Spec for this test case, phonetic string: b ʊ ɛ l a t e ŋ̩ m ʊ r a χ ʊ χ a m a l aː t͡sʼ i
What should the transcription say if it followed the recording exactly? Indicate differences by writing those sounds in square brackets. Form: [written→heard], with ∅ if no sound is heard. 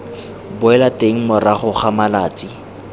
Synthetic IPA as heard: b ʊ ɛ l a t e ŋ̩ m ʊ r a χ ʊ χ a m a l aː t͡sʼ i